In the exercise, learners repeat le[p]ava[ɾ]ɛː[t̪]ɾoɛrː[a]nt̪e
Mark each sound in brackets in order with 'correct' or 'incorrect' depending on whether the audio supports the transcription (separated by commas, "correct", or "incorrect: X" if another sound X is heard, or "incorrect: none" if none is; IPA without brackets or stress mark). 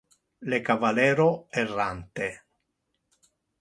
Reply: incorrect: k, incorrect: l, incorrect: none, correct